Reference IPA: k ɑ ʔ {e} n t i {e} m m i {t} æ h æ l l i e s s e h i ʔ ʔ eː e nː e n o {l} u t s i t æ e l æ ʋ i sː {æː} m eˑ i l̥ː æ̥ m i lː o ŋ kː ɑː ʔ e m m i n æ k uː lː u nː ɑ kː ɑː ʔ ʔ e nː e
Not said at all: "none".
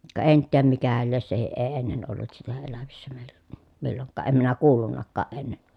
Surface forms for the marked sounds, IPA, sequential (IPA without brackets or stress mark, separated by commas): e, æ, k, lː, æ